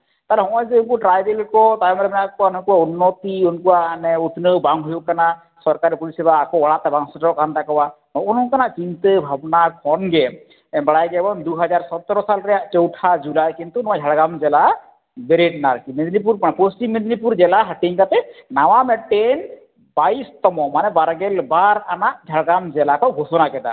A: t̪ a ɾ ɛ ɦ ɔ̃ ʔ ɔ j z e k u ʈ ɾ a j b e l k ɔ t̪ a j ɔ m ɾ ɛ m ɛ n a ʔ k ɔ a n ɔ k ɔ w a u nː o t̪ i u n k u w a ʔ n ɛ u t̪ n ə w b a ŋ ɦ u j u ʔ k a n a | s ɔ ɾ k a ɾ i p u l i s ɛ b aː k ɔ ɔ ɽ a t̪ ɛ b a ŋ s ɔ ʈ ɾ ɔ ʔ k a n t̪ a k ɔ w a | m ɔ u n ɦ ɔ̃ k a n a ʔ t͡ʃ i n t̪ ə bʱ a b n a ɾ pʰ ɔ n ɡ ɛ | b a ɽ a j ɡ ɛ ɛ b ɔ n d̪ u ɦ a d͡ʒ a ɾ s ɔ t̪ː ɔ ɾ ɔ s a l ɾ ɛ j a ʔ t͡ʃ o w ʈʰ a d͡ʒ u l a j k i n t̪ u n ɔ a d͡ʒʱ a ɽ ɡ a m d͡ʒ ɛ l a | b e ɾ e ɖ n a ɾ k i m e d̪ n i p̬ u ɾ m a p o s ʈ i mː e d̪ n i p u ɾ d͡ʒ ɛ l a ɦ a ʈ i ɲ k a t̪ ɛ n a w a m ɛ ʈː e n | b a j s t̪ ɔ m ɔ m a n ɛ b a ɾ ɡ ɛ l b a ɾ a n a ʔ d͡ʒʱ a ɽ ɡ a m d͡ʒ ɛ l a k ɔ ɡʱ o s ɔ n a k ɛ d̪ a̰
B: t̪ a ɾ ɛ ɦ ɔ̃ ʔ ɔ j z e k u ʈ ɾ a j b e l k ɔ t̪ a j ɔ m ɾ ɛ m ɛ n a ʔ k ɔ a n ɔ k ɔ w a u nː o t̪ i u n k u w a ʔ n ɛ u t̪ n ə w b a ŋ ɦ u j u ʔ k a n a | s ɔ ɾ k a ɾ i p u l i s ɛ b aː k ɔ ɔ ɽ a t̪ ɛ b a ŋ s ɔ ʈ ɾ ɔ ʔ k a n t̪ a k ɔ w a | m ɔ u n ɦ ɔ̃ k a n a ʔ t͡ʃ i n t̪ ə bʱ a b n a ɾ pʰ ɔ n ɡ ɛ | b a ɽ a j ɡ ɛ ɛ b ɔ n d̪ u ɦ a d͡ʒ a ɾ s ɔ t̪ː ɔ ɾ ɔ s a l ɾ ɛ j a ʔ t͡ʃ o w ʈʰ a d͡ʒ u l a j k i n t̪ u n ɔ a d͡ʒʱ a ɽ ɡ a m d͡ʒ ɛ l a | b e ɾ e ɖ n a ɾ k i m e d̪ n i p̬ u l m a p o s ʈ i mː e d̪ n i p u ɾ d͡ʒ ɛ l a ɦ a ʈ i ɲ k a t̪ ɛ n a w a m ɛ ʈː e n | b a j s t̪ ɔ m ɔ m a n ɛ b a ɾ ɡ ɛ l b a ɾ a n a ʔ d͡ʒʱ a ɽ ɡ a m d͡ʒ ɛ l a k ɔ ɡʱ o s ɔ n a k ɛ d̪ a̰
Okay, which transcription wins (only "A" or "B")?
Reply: A